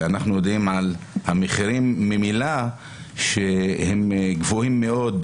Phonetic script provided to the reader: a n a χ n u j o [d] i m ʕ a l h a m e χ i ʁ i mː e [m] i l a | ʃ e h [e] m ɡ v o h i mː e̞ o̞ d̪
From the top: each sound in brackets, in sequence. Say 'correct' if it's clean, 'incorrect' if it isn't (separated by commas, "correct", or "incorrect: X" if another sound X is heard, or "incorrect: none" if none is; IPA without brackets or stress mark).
correct, correct, correct